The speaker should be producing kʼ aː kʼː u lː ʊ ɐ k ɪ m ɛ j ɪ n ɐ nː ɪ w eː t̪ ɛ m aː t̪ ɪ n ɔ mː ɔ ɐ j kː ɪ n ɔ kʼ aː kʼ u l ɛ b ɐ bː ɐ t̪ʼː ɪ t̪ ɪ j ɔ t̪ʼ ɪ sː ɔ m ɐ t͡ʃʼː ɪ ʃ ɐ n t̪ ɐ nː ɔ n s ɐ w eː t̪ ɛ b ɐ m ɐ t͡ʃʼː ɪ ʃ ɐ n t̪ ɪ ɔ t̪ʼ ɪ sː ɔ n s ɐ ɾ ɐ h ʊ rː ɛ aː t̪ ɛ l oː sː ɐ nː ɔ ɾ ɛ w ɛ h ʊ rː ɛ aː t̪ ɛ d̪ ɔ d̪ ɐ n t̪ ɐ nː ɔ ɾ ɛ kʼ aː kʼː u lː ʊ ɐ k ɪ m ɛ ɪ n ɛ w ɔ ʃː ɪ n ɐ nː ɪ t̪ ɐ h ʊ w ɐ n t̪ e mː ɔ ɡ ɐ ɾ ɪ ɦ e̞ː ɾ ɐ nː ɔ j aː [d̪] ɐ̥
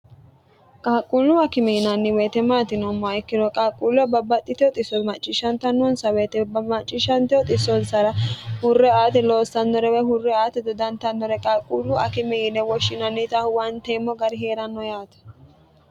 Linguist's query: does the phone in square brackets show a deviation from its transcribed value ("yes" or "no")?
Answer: yes